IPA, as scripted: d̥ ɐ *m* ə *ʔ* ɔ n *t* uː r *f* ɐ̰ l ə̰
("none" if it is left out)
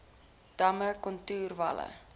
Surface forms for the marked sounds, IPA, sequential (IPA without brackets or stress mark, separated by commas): m, k, t, v